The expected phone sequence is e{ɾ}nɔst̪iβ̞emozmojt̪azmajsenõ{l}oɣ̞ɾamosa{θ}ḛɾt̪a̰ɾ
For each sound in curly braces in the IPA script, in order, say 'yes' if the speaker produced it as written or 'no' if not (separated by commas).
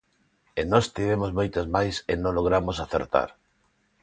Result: no, yes, yes